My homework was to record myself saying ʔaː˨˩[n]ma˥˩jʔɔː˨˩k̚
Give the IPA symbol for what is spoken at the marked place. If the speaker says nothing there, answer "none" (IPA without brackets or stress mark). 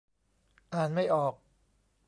n